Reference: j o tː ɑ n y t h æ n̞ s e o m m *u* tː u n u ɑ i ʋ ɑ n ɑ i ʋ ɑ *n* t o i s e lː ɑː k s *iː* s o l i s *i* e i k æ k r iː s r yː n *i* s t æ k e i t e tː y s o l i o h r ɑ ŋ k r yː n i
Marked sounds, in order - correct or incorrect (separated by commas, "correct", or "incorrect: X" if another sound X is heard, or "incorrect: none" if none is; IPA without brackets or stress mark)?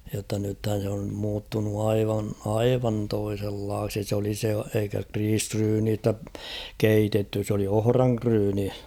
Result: incorrect: uː, correct, incorrect: i, incorrect: e, incorrect: iː